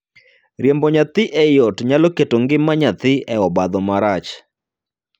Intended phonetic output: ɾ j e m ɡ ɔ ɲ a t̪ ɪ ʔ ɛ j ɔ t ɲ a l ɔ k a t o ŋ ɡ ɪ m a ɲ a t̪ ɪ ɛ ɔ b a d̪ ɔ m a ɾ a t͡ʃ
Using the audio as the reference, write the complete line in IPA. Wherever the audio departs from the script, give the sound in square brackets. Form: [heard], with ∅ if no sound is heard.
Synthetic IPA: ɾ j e m [b] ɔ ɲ a t̪ ɪ ʔ ɛ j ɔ t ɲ a l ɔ k [e] t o ŋ ɡ ɪ m a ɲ a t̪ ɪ ɛ ɔ b a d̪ ɔ m a ɾ a t͡ʃ